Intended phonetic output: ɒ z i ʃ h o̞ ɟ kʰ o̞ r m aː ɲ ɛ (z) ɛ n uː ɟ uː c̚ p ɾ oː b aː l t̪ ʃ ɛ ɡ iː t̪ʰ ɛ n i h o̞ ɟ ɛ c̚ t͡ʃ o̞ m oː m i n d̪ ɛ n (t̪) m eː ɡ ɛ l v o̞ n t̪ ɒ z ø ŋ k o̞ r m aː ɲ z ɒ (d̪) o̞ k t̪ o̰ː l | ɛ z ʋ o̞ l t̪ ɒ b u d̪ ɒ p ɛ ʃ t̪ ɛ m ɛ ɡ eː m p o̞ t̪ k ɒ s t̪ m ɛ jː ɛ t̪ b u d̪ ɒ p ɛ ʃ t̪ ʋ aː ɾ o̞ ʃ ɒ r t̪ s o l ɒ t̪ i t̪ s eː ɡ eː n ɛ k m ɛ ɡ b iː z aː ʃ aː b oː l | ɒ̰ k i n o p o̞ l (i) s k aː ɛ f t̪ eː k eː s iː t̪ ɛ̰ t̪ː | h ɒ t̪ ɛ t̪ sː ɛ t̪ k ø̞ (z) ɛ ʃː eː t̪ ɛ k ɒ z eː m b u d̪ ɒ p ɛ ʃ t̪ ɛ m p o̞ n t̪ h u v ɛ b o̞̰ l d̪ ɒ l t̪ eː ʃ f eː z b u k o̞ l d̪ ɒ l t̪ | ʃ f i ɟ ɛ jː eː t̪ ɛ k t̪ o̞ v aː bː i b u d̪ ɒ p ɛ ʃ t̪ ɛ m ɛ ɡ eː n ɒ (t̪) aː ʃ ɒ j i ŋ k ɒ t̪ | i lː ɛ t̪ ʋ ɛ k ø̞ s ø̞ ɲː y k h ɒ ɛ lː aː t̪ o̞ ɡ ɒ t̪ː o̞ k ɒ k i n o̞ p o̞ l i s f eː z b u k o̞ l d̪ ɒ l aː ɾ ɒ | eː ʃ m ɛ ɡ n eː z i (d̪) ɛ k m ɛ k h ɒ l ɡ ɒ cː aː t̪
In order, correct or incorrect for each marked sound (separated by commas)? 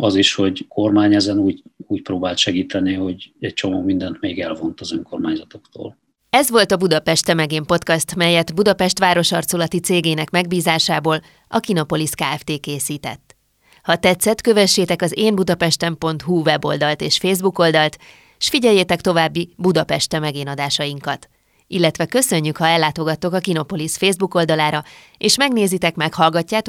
correct, correct, incorrect, correct, incorrect, incorrect, incorrect